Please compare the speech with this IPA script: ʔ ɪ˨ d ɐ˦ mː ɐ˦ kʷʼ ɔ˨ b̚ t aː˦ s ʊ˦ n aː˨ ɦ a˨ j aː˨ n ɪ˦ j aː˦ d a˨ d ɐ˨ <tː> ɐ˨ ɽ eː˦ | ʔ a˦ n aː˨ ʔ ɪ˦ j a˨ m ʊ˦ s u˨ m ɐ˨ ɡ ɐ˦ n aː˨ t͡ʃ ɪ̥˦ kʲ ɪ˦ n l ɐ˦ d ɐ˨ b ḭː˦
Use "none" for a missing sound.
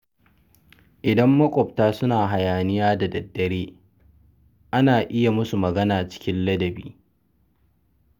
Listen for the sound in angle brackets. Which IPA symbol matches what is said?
dː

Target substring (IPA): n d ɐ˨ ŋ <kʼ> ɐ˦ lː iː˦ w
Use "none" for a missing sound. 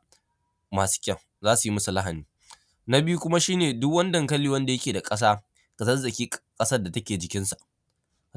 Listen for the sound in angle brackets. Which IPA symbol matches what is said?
k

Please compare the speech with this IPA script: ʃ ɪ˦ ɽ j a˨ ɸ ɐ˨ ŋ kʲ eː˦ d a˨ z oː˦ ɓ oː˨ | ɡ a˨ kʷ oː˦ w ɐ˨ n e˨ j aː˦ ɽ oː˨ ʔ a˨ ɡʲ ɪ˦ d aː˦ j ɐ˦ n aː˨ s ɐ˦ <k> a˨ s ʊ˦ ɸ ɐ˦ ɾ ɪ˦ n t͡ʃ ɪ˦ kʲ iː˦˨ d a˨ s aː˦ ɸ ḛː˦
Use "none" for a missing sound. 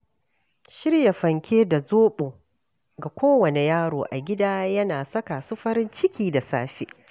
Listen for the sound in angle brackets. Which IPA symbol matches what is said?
k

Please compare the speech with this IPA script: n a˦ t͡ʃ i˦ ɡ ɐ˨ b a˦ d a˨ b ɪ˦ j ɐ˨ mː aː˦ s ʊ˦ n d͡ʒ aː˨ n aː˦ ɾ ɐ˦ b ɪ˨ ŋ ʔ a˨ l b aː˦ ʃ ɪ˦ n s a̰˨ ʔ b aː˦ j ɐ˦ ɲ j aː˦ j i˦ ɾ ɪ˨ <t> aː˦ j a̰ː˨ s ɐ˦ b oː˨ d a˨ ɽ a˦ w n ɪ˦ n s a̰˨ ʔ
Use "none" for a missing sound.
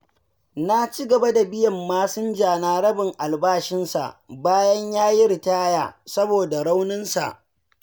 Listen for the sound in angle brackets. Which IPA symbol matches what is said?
t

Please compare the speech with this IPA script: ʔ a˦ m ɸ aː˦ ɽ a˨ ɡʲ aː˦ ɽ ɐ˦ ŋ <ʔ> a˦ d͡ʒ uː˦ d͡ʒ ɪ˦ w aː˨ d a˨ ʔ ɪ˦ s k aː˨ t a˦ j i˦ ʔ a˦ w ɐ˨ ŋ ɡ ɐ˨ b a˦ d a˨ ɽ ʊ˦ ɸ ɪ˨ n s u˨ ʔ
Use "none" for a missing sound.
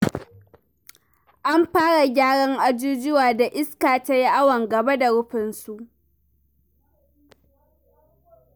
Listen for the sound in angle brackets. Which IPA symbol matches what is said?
ʔ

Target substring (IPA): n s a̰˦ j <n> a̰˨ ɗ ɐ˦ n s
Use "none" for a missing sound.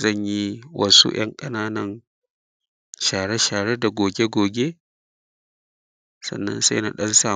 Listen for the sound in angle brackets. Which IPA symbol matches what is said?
n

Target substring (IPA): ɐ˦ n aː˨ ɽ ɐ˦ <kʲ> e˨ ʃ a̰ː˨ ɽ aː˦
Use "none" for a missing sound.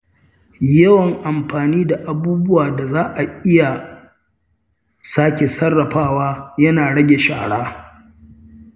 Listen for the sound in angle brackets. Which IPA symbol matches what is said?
ɡʲ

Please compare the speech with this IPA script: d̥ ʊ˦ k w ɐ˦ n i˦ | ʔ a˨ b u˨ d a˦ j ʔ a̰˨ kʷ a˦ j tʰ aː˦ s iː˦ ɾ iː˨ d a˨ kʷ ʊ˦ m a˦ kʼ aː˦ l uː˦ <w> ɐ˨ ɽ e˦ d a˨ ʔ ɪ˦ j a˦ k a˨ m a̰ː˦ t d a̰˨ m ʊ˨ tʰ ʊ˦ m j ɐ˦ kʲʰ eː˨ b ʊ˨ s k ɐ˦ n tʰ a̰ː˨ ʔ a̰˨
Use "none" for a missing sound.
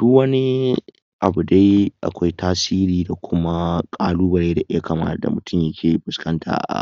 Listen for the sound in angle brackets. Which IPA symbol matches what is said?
b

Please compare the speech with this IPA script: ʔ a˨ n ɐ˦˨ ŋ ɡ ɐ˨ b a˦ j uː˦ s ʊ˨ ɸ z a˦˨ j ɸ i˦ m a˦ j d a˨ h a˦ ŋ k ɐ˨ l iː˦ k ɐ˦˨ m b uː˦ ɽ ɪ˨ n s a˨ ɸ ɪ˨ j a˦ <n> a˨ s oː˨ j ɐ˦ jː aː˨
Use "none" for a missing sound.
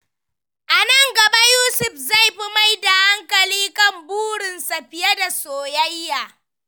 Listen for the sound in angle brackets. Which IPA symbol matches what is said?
d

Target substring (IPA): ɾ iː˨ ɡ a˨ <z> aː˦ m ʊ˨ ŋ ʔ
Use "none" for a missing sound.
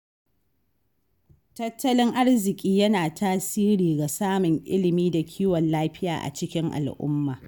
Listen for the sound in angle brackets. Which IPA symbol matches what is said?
s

